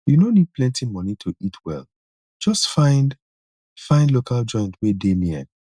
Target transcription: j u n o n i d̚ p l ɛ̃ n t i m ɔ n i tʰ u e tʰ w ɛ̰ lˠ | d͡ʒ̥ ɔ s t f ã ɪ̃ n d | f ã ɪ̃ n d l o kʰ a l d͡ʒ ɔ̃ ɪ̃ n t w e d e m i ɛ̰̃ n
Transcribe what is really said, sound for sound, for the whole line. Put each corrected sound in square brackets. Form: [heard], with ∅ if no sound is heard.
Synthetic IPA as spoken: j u n o n i d̚ p l ɛ̃ n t i m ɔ n i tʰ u [i] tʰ w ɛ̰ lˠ | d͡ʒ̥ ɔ s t f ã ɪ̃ n d | f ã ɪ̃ n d l o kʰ a l d͡ʒ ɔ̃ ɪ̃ n t w e d e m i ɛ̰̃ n